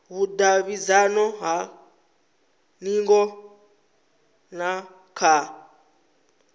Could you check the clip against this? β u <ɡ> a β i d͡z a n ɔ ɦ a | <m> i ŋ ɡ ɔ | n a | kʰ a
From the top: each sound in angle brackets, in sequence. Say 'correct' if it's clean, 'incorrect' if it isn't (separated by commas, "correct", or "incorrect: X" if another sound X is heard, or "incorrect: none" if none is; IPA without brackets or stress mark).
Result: incorrect: d, incorrect: n